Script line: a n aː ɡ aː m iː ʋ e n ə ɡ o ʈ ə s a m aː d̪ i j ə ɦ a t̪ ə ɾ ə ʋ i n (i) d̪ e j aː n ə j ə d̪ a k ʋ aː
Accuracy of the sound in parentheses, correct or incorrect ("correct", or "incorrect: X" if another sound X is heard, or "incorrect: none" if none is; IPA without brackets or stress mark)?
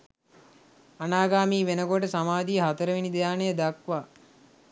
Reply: correct